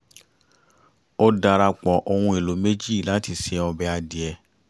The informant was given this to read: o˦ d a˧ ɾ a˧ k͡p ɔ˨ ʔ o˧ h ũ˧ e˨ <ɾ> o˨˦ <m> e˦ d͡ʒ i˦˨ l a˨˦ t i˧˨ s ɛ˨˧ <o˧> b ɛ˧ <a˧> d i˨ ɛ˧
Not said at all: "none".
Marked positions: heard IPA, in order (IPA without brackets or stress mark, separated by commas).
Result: l, m, ɔ˧, a˧